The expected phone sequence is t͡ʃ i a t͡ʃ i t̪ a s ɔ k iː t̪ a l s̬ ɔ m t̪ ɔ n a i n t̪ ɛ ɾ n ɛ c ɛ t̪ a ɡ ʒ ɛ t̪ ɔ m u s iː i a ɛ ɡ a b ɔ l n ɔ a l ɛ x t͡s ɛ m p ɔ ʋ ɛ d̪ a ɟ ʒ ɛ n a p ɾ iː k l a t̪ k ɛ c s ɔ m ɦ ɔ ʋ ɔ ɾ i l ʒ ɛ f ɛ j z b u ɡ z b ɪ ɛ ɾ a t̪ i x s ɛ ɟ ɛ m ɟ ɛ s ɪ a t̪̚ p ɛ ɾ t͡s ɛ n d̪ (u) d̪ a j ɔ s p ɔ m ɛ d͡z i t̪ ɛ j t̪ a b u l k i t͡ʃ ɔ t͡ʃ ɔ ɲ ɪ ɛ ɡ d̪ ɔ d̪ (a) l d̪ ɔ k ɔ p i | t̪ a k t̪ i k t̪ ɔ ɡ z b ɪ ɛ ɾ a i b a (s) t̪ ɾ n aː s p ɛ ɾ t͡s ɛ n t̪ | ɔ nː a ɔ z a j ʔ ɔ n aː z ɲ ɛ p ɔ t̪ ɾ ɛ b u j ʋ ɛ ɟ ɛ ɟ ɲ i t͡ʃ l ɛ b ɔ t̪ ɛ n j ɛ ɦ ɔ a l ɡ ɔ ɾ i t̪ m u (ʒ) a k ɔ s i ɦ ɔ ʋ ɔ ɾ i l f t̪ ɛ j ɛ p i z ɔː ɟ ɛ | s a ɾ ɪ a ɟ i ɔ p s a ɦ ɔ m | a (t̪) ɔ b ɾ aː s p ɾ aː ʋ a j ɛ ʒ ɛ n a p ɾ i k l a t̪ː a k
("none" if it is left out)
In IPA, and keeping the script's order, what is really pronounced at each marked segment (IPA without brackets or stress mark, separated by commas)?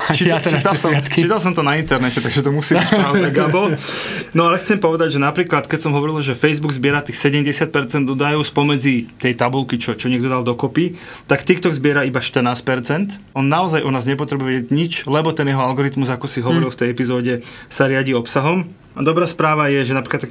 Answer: ɔ, a, ʃ, z, d̪